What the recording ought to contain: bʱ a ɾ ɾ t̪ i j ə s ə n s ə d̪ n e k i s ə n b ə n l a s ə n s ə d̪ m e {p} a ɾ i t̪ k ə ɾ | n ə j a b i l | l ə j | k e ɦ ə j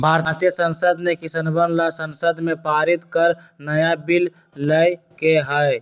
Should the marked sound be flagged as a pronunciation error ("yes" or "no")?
no